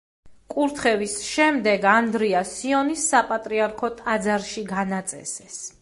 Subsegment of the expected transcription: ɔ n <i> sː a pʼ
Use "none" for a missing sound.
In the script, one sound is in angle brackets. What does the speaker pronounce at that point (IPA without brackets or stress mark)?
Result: i